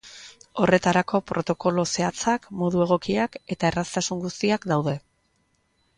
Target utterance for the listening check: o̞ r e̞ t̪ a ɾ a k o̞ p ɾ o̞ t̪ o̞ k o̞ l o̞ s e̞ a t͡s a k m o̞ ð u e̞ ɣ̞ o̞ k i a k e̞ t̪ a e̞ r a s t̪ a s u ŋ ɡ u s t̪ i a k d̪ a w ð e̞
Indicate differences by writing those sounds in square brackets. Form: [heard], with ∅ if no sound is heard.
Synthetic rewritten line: o̞ r e̞ t̪ a ɾ a k o̞ p ɾ o̞ t̪ o̞ k o̞ l o̞ s e̞ a t͡s a k m o̞ ð u e̞ ɣ̞ o̞ k i a k e̞ t̪ a e̞ r a s t̪ a s u ŋ ɡ u s t̪ i a k d̪ a w ð e̞